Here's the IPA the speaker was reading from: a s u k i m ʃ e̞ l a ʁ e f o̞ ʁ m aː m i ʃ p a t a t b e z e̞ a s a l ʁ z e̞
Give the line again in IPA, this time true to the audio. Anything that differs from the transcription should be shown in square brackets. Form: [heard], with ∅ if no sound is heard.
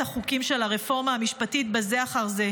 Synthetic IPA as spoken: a [χ] u k i m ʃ e̞ l a ʁ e f o̞ ʁ m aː m i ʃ p a t [i] t b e z e̞ a [χ] a [∅] ʁ z e̞